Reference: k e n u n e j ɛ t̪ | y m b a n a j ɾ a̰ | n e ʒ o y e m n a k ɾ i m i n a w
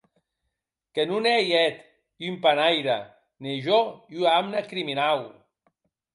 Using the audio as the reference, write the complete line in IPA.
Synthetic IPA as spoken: k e n u n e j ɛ t̪ | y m p a n a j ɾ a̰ | n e ʒ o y a m n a k ɾ i m i n a w